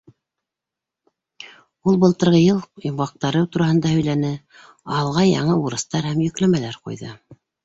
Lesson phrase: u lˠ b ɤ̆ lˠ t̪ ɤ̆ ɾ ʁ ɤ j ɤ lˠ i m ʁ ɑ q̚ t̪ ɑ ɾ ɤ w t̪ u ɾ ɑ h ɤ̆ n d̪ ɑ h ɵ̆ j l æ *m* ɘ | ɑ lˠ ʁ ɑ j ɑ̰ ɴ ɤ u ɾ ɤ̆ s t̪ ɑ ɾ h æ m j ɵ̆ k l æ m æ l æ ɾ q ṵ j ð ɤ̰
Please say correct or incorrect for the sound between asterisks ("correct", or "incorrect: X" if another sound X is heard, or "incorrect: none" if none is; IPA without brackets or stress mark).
incorrect: n